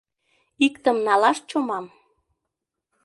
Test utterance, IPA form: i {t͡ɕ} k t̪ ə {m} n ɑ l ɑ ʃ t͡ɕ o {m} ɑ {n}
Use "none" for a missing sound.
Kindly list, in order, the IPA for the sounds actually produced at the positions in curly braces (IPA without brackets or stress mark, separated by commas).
none, m, m, m